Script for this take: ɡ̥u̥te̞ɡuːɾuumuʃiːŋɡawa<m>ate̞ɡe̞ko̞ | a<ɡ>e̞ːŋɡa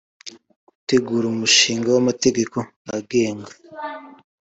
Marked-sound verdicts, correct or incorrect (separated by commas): correct, correct